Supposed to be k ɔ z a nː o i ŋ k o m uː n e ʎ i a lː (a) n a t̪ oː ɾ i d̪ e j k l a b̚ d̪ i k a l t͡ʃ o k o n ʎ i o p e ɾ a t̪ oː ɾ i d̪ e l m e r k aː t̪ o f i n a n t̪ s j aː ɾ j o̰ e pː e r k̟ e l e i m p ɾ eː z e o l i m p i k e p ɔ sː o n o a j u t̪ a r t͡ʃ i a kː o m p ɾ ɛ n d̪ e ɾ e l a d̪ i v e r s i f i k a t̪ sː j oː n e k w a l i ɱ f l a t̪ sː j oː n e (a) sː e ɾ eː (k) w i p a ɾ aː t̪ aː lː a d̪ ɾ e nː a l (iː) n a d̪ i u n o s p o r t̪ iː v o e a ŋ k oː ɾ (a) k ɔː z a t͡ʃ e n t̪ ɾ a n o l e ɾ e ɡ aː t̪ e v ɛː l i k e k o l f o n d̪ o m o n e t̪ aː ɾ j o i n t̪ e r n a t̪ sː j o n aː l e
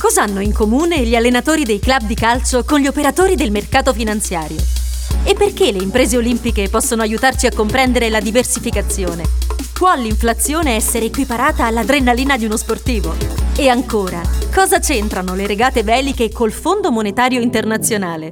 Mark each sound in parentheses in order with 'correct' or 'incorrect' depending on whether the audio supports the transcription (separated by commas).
incorrect, incorrect, correct, correct, correct